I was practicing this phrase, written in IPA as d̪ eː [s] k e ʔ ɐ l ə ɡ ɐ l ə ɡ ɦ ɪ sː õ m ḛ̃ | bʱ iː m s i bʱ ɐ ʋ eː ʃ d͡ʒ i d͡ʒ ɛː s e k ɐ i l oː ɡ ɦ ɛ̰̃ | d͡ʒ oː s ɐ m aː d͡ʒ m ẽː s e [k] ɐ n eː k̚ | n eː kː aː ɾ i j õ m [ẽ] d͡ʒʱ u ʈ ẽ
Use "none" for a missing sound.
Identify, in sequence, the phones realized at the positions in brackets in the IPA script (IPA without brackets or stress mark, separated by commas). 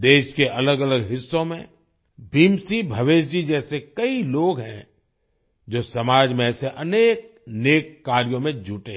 ʃ, ʔ, ẽ